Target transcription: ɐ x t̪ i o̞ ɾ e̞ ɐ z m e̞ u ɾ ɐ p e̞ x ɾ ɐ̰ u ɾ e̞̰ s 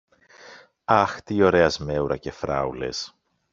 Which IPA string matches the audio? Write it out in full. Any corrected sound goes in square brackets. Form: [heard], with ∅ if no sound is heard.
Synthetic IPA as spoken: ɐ x t̪ i o̞ ɾ e̞ ɐ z m e̞ u ɾ ɐ [c] e̞ [f] ɾ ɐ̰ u [l] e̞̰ s